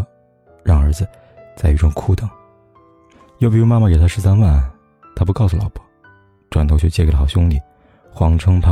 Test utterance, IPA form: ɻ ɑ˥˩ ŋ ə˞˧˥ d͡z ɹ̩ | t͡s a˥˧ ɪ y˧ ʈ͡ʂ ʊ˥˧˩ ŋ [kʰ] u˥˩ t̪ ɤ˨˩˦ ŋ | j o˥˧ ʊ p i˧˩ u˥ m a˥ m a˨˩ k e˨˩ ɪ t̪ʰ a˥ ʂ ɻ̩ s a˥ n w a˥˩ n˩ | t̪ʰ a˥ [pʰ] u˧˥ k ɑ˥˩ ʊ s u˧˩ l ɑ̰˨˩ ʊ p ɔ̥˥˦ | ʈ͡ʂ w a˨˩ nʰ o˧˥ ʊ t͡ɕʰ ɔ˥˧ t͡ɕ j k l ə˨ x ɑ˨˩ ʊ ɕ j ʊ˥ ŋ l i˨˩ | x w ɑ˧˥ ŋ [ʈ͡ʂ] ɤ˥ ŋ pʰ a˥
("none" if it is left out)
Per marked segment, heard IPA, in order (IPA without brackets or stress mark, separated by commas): kʰ, p, ʈ͡ʂʰ